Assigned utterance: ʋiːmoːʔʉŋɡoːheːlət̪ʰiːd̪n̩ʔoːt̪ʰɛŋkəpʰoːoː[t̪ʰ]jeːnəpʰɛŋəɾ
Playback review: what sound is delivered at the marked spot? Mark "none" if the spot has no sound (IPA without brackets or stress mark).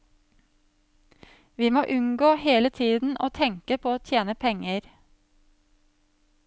t̪ʰ